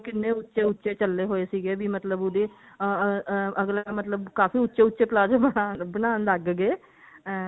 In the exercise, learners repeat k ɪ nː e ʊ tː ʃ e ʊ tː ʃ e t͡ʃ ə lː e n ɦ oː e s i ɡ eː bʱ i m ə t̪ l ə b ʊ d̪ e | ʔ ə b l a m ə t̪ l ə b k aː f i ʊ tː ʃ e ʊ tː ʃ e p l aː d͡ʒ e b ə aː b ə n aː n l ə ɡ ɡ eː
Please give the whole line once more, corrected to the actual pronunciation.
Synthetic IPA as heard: k ɪ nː e ʊ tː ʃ e ʊ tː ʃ e t͡ʃ ə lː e ɦ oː e s i ɡ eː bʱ i m ə t̪ l ə b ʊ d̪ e | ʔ ə ɡ l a m ə t̪ l ə b k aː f i ʊ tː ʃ e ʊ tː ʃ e p l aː d͡ʒ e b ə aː b ə n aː n l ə ɡ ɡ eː